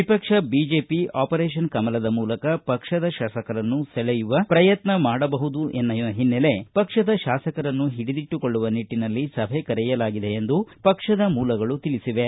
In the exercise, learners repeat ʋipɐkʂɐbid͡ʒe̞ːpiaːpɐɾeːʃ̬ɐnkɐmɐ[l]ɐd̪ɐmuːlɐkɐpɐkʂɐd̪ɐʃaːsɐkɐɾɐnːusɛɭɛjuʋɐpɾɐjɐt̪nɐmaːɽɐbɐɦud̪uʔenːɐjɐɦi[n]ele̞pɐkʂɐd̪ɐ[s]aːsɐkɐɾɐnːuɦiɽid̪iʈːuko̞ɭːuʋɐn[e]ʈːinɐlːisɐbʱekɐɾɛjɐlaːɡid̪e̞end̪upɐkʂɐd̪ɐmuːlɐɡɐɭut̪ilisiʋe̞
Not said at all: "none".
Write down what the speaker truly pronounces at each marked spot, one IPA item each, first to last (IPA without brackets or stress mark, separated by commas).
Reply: l, nː, ʃ, i